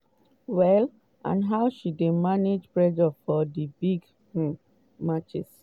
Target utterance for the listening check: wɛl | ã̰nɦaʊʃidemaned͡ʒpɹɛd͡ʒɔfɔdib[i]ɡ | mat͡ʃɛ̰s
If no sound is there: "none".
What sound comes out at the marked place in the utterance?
i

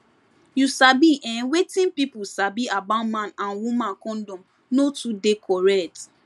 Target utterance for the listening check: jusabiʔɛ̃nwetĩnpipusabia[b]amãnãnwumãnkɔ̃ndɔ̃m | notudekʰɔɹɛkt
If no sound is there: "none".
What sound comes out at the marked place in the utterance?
b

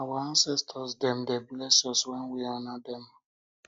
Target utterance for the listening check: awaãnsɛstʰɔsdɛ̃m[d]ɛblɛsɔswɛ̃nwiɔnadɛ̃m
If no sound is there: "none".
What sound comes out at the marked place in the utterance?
d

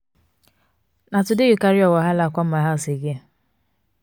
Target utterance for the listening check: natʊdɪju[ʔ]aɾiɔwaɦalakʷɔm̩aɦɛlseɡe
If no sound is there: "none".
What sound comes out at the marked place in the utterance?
k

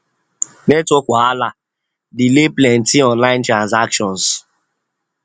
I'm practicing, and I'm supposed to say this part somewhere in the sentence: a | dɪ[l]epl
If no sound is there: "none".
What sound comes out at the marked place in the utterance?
l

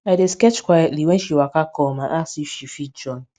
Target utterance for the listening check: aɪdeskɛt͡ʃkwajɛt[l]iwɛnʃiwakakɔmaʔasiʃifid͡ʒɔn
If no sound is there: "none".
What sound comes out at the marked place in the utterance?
l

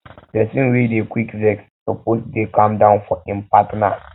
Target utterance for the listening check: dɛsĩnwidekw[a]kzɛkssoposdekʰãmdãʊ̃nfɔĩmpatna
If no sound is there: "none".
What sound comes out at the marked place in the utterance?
i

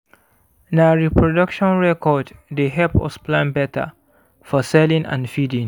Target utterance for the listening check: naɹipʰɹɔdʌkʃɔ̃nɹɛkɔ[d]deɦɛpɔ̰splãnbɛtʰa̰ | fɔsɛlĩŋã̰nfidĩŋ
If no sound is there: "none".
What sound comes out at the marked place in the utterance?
d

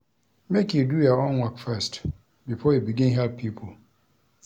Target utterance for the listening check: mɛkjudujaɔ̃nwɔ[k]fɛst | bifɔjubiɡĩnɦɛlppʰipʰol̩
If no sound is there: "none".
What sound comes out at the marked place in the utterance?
k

